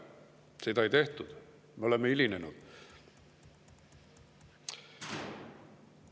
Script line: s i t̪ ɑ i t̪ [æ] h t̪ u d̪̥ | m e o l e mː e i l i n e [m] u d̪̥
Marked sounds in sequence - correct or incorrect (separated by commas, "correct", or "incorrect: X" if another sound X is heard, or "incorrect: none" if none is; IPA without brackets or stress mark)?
incorrect: e, incorrect: n